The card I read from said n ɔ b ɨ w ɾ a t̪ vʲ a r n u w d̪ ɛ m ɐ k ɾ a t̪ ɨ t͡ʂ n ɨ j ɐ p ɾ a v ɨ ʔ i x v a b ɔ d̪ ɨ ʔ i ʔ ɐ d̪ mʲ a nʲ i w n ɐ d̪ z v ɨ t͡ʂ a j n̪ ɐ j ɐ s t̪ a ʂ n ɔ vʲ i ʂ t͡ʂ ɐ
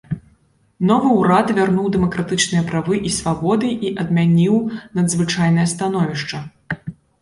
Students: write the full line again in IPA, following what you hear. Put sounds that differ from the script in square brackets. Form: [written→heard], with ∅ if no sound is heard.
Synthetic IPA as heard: n ɔ [b→v] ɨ w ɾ a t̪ vʲ a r n u w d̪ ɛ m ɐ k ɾ a t̪ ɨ t͡ʂ n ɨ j ɐ p ɾ a v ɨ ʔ i [x→s] v a b ɔ d̪ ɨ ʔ i ʔ ɐ d̪ mʲ a nʲ i w n ɐ d̪ z v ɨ t͡ʂ a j n̪ ɐ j ɐ s t̪ a [ʂ→∅] n ɔ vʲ i ʂ t͡ʂ ɐ